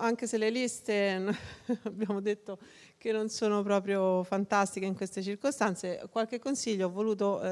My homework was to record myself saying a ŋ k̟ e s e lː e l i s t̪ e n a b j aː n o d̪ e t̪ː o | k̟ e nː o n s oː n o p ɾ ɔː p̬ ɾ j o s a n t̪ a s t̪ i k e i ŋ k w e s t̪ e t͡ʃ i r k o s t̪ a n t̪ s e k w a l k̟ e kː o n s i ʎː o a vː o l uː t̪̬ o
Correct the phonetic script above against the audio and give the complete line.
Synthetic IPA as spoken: a ŋ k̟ e s e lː e l i s t̪ e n a b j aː m o d̪ e t̪ː o | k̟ e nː o n s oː n o p ɾ ɔː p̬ ɾ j o f a n t̪ a s t̪ i k e i ŋ k w e s t̪ e t͡ʃ i r k o s t̪ a n t̪ s e k w a l k̟ e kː o n s i ʎː o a vː o l uː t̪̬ o